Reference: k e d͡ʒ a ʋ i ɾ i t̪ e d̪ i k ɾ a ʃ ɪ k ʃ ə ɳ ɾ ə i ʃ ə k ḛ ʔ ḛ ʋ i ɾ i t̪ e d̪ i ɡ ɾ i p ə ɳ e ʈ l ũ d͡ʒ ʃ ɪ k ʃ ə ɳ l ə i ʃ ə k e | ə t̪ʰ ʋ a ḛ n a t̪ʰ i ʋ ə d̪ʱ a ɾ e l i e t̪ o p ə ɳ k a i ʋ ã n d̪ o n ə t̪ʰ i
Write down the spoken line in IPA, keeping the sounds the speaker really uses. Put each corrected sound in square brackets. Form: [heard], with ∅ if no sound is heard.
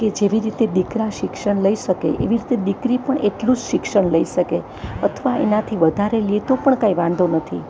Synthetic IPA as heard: k e d͡ʒ [e] ʋ i ɾ i t̪ e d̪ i k ɾ a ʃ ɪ k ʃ ə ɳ [l] ə i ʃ ə k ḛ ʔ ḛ ʋ i ɾ i t̪ e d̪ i [k] ɾ i p ə ɳ e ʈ l ũ d͡ʒ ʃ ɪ k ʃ ə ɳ l ə i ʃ ə k e | ə t̪ʰ ʋ a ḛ n a t̪ʰ i ʋ ə d̪ʱ a ɾ e l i e t̪ o p ə ɳ k a i ʋ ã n d̪ o n ə t̪ʰ i